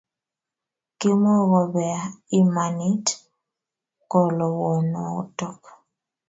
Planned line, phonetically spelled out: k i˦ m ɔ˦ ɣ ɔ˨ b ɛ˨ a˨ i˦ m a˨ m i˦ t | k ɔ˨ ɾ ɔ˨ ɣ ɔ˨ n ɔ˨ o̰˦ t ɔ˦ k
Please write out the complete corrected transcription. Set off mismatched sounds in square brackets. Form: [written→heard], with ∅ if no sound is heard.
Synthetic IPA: k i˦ m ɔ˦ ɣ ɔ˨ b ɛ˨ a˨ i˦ m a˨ [m→n] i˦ t | k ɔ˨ [ɾ→l] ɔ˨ [ɣ→w] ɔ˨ n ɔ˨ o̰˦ t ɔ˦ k